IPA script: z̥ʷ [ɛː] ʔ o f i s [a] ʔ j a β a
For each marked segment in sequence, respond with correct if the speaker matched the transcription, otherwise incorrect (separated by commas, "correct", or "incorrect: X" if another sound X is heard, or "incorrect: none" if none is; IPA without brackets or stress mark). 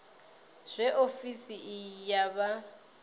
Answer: incorrect: ɛ, incorrect: i